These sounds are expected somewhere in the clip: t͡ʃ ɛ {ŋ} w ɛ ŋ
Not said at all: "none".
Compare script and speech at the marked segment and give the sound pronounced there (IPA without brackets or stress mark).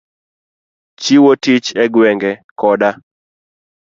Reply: ɡ